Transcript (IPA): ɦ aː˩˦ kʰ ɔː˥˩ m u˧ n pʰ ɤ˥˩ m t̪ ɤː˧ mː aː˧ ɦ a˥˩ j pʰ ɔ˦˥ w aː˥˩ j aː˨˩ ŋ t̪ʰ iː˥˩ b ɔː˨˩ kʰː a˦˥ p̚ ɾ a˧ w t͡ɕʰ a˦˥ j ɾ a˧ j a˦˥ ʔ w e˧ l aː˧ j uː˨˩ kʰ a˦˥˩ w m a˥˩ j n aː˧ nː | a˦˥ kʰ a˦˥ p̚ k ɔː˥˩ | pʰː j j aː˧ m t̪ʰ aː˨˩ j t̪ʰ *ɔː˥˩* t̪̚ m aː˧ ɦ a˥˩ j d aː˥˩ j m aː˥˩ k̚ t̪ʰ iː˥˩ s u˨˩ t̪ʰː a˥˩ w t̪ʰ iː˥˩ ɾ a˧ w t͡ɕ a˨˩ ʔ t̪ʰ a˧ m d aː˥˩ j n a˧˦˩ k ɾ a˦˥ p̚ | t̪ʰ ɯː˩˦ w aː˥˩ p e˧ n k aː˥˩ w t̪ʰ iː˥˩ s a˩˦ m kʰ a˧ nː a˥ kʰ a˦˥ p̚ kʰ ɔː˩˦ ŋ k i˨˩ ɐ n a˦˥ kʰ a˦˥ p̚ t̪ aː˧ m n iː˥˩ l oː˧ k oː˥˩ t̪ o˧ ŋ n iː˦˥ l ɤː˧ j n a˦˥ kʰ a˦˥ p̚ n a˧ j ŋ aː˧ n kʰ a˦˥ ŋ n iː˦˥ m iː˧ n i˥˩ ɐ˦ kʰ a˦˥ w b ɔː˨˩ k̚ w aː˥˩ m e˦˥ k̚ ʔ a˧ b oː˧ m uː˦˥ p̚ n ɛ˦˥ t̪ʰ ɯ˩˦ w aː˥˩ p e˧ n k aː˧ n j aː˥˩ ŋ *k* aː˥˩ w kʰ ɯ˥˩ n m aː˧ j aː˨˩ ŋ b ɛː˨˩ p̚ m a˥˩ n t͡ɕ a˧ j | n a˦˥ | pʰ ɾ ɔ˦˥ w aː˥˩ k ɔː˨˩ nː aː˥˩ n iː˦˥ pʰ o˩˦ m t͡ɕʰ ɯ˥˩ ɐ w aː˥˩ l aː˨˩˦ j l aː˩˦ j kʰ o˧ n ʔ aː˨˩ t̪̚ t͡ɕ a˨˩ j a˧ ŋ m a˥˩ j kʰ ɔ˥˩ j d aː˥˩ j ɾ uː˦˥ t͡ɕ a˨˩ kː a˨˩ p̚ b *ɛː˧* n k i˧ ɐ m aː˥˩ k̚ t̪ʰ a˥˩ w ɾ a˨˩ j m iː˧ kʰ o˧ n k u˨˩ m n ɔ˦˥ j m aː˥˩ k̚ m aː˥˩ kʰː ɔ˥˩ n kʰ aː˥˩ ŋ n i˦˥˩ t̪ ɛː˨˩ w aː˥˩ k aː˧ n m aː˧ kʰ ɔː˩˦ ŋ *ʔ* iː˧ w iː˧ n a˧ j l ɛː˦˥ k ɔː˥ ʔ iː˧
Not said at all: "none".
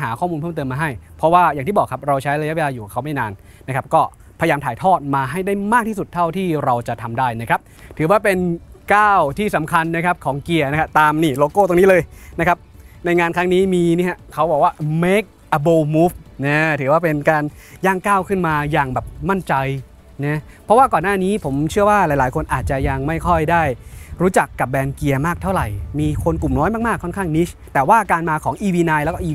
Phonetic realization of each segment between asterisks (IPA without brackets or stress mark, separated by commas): ɔː˥˩, k, ɛː˧, ʔ